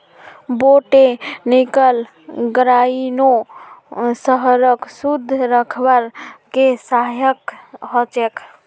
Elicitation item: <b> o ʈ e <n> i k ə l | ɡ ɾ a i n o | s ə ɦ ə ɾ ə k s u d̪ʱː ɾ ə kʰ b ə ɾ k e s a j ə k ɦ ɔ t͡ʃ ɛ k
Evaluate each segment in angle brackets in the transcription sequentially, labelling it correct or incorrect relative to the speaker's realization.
correct, correct

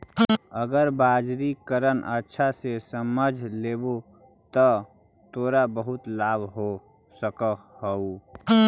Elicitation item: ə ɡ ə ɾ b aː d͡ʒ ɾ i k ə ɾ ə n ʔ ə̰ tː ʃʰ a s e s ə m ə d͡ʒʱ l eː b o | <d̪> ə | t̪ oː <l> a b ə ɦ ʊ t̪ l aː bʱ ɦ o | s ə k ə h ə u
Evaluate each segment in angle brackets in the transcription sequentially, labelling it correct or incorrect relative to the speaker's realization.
incorrect: t̪, incorrect: ɾ

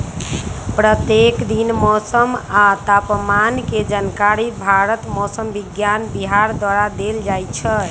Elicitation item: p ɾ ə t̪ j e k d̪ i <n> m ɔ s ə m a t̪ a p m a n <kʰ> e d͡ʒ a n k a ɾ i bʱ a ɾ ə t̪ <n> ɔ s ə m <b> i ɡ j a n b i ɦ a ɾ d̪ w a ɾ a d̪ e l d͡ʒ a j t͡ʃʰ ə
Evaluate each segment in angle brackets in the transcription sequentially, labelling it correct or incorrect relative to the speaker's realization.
correct, incorrect: k, incorrect: m, correct

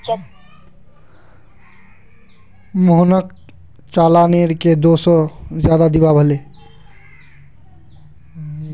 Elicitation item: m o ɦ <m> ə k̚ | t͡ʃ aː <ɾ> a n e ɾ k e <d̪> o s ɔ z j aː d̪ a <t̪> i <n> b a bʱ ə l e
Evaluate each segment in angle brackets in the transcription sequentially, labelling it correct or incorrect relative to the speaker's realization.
incorrect: n, incorrect: l, correct, incorrect: d̪, incorrect: none

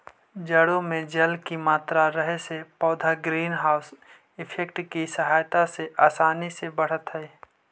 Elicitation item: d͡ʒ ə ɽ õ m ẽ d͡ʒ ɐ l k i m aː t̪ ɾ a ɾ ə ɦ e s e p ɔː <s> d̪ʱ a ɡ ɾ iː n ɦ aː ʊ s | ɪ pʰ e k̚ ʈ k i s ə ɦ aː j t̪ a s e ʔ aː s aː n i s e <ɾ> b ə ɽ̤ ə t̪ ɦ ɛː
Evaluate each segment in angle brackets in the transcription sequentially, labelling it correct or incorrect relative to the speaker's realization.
incorrect: none, incorrect: none

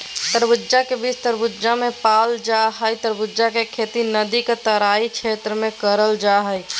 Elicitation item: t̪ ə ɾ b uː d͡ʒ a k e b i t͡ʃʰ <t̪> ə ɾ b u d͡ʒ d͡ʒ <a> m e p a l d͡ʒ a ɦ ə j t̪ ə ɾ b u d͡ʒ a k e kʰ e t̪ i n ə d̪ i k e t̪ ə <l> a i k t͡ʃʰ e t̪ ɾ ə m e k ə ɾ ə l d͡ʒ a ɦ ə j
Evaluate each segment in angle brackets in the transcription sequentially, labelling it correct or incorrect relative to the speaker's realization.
correct, correct, incorrect: ɾ

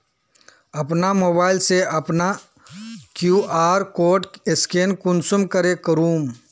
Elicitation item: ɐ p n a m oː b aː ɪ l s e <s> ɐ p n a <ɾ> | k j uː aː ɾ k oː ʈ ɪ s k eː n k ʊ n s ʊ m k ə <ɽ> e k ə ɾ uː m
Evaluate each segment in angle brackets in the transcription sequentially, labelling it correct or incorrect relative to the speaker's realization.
incorrect: none, incorrect: none, incorrect: ɾ

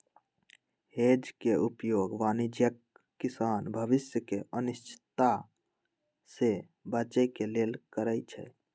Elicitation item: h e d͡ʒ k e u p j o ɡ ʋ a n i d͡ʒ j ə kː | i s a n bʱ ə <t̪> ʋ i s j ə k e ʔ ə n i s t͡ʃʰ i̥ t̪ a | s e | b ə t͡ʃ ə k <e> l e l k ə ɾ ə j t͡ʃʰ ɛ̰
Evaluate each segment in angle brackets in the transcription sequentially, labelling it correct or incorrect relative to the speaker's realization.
incorrect: none, correct

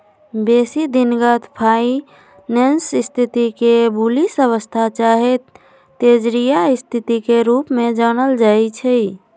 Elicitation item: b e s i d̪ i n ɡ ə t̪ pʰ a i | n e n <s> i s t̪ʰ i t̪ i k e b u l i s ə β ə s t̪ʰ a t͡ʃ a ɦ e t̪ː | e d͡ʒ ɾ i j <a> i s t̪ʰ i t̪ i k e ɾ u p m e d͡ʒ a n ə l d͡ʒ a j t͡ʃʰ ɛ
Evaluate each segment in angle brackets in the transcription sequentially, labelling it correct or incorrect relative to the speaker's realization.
correct, correct

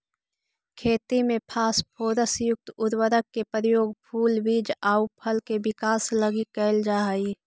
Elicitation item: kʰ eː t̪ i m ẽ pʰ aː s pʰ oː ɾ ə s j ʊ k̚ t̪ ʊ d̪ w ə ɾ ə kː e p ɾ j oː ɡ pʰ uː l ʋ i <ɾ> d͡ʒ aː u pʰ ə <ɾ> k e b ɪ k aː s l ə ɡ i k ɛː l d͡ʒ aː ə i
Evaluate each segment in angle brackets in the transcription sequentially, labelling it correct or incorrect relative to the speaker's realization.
incorrect: none, incorrect: l

